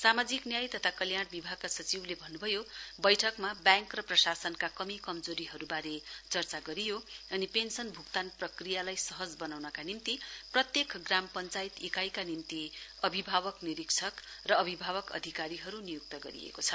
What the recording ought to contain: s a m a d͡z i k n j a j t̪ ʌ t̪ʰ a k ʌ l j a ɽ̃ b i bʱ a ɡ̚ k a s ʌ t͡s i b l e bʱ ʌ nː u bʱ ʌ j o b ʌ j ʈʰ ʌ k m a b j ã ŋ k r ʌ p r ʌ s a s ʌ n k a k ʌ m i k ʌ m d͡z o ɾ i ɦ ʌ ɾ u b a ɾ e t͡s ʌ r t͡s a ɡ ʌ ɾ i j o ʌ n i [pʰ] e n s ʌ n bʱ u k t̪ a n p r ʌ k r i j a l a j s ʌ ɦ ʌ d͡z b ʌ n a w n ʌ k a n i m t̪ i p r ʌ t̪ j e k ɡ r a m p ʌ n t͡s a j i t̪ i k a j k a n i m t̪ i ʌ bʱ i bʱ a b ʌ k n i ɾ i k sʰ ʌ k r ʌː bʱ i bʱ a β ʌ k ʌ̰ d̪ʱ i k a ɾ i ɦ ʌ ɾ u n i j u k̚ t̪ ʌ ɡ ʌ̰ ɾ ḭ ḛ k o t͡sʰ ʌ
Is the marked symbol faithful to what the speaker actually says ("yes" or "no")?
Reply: no